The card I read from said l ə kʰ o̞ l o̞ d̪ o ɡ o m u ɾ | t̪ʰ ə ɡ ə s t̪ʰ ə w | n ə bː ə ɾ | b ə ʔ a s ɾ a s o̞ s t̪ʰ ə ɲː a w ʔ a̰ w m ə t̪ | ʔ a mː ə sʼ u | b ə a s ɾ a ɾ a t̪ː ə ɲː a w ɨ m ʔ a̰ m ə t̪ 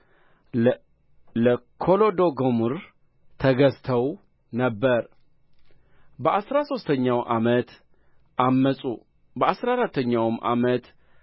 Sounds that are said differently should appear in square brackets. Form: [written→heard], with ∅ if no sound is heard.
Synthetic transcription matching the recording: l ə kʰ o̞ l o̞ d̪ o ɡ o m u ɾ | t̪ʰ ə ɡ ə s t̪ʰ ə w | n ə bː ə ɾ | b ə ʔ a s ɾ a s o̞ s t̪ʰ ə ɲː a w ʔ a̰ [w→∅] m ə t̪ | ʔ a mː ə sʼ u | b ə a s ɾ a ɾ a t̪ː ə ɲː a w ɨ m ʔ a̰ m ə t̪

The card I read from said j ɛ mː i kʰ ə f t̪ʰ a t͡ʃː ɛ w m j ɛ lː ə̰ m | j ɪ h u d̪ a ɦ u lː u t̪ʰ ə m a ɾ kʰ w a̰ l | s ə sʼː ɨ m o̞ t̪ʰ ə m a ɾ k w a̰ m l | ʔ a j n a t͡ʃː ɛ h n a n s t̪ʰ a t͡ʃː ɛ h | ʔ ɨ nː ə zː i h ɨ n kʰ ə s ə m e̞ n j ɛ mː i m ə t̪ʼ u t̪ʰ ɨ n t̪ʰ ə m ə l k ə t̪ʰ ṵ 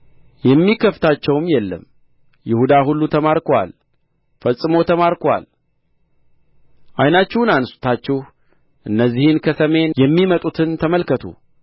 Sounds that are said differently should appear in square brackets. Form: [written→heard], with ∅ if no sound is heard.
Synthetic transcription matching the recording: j ɛ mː i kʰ ə f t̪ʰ a t͡ʃː ɛ w m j ɛ lː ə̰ m | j ɪ h u d̪ a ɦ u lː u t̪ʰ ə m a ɾ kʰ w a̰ l | [s→f] ə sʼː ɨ m o̞ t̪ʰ ə m a ɾ k w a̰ [m→∅] l | ʔ a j n a t͡ʃː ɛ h n a n s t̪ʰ a t͡ʃː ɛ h | ʔ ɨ nː ə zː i h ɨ n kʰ ə s ə m e̞ n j ɛ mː i m ə t̪ʼ u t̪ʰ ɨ n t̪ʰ ə m ə l k ə t̪ʰ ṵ

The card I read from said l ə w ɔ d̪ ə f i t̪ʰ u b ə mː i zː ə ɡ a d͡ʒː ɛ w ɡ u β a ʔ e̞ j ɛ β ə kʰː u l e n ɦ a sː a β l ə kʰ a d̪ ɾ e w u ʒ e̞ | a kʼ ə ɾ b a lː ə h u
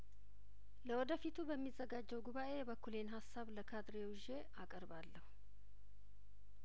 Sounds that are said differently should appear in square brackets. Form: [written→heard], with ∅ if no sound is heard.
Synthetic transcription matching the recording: l ə w ɔ d̪ ə f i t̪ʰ u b ə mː i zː ə ɡ a d͡ʒː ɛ w ɡ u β a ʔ e̞ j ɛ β ə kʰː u l e n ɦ a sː a β l ə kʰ a d̪ ɾ e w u ʒ e̞ | a kʼ ə ɾ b a lː ə h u

